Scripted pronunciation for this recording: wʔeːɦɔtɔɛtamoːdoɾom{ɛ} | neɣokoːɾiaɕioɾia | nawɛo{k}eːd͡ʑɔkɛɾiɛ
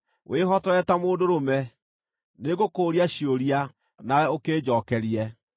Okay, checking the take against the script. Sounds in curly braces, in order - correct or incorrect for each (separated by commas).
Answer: correct, correct